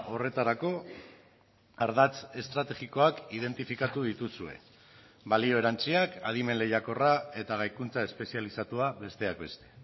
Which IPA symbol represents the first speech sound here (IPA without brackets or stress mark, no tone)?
o̞